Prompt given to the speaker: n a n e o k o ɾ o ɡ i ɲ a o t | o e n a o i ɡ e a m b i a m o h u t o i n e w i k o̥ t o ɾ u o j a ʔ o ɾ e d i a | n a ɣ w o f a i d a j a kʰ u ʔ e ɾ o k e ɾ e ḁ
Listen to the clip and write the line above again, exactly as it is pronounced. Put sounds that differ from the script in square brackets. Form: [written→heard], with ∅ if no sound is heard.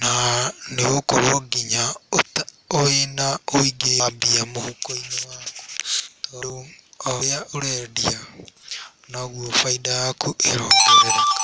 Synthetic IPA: n a n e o k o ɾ o ɡ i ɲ a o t | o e n a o i ɡ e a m b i a m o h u [t→k] o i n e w [i→a] k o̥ t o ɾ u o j a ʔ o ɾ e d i a | n a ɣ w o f a i d a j a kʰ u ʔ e ɾ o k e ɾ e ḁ